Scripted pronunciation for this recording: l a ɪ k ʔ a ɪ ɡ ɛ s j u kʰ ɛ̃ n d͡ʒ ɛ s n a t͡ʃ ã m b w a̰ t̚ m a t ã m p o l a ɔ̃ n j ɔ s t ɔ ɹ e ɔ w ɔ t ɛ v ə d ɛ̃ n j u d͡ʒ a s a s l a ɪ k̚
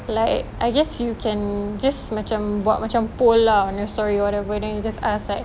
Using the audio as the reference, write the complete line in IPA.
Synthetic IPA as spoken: l a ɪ k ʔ a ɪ ɡ ɛ s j u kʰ ɛ̃ n d͡ʒ a s m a t͡ʃ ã m b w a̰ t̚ m a t͡ʃ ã m p o l a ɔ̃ n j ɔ s t ɔ ɹ i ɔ w ɔ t ɛ v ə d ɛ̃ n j u d͡ʒ a s a s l a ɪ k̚